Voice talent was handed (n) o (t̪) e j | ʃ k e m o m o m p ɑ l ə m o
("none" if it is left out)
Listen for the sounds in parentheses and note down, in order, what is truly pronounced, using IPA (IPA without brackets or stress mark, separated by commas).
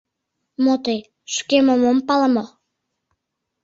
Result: m, t̪